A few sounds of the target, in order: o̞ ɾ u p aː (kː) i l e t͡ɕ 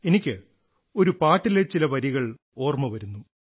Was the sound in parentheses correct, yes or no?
no